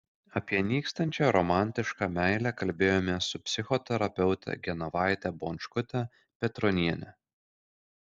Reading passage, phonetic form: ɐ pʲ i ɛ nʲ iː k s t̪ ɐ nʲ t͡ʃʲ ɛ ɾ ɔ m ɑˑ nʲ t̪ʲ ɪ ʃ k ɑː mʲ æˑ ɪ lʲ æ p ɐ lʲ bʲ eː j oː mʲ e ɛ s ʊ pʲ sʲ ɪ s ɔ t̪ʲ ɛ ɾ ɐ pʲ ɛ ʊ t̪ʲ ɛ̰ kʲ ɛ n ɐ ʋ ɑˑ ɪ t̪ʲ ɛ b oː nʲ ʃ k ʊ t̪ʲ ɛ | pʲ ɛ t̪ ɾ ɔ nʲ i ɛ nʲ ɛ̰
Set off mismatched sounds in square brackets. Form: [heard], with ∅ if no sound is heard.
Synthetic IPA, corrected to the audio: ɐ pʲ i ɛ nʲ iː k s t̪ ɐ nʲ t͡ʃʲ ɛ ɾ ɔ m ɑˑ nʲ t̪ʲ ɪ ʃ k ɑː mʲ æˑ ɪ lʲ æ [k] ɐ lʲ bʲ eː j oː mʲ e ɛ s ʊ pʲ sʲ ɪ [x] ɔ t̪ʲ ɛ ɾ ɐ pʲ ɛ ʊ t̪ʲ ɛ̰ [ɡʲ] ɛ n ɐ ʋ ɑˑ ɪ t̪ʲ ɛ b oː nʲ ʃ k ʊ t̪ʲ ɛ | pʲ ɛ t̪ ɾ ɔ nʲ i ɛ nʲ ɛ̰